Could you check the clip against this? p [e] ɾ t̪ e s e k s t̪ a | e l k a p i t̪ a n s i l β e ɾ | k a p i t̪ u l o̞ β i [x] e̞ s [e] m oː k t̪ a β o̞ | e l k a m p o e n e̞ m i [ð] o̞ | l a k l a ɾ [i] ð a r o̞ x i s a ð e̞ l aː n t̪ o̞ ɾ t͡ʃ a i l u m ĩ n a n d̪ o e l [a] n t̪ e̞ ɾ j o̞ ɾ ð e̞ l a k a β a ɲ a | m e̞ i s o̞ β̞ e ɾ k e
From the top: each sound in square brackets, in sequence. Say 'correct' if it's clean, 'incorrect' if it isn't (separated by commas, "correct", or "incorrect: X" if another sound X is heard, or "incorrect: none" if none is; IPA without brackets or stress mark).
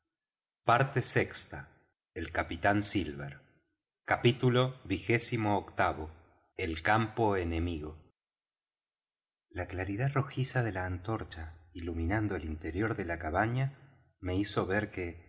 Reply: incorrect: a, correct, incorrect: i, incorrect: ɣ, correct, incorrect: i